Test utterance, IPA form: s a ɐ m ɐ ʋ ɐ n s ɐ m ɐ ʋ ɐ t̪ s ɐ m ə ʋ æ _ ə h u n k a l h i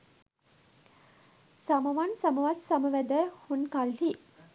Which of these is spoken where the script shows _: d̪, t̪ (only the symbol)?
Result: d̪